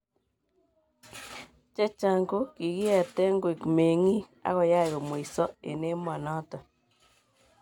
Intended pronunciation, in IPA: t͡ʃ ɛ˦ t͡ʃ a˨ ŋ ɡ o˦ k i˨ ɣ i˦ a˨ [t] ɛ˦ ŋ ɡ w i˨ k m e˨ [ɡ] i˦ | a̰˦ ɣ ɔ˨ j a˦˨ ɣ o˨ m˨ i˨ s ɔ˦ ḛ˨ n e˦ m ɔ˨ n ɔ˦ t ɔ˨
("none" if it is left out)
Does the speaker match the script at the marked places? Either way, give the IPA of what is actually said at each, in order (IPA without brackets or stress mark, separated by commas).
t, ŋ